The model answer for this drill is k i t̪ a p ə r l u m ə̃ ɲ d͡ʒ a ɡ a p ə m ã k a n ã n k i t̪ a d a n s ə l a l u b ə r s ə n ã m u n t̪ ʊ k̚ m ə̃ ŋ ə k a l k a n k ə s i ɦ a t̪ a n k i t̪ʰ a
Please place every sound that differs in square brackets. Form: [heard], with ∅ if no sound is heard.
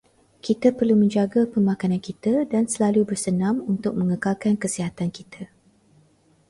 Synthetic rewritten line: k i t̪ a p ə r l u m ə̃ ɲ d͡ʒ a ɡ a p ə m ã k a n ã n k i t̪ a d a n s ə l a l u b ə r s ə n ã m u n t̪ ʊ k̚ m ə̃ ŋ ə k a l k a n k ə s i ɦ a t̪ a n k i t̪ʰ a